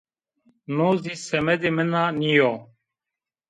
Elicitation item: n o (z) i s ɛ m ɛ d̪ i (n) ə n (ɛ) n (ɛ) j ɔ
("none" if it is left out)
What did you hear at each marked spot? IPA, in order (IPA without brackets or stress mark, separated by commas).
z, m, a, i